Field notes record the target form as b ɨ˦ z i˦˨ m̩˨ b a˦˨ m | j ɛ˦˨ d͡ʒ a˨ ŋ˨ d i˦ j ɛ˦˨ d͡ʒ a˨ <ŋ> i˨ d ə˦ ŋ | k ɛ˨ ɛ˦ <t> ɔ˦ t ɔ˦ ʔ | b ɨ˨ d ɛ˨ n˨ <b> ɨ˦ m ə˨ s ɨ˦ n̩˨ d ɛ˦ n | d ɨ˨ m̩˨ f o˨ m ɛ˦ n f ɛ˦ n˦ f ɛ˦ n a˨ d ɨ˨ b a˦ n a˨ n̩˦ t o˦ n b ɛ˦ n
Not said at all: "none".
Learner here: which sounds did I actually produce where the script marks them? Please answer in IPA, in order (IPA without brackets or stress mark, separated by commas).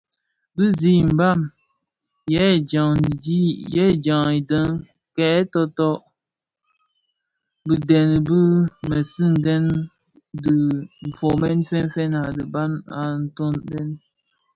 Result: ŋ, t, b